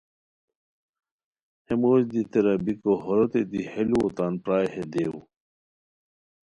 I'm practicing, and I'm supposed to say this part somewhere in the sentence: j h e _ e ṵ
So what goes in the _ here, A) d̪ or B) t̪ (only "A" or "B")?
A